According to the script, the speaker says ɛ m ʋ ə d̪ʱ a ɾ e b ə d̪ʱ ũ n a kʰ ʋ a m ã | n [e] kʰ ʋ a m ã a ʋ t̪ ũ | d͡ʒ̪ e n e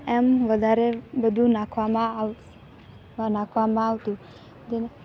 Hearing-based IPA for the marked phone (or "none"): a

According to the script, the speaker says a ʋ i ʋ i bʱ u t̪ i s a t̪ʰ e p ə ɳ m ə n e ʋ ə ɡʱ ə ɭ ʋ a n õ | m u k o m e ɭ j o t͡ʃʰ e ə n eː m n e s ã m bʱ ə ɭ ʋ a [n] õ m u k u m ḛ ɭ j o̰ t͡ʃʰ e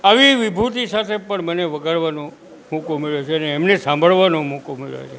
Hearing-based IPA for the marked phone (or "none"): n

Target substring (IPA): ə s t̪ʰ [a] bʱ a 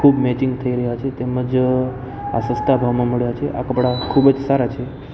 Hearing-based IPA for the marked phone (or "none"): a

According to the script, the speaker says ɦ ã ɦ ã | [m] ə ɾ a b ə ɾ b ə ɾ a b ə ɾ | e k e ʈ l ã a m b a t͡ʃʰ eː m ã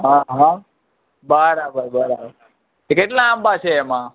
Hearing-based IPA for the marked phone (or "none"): b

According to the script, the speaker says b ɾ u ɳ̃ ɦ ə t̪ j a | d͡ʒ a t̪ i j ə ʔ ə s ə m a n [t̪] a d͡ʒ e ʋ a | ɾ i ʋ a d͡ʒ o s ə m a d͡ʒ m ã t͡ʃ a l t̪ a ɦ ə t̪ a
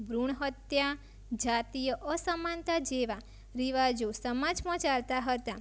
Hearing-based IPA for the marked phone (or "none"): t̪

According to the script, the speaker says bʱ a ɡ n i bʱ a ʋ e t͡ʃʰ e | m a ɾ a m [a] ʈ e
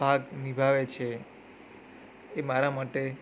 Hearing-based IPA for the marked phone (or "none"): a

